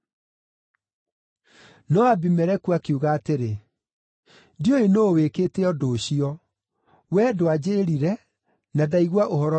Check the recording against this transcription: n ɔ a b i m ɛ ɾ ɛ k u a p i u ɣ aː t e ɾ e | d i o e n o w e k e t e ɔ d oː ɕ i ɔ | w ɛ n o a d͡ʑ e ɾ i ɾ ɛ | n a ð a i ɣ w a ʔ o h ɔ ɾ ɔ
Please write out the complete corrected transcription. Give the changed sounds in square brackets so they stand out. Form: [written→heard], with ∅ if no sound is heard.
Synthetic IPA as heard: n ɔ a b i m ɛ ɾ ɛ k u a [p→k] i u ɣ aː t e ɾ e | d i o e n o w e k e t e ɔ d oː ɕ i ɔ | w ɛ [n→d] o a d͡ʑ e ɾ i ɾ ɛ | n a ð a i ɣ w a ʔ o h ɔ ɾ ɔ